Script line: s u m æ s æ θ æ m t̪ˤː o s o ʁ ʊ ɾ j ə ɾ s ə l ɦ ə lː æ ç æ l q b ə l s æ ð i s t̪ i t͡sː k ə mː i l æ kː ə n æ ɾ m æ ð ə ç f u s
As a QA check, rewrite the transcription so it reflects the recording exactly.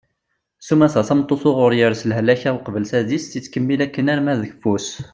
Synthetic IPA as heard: s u m æ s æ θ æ m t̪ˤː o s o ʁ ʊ ɾ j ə ɾ s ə l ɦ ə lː æ ç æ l q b ə l s æ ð i s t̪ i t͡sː k ə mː i l æ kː ə n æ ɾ m æ ð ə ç f u s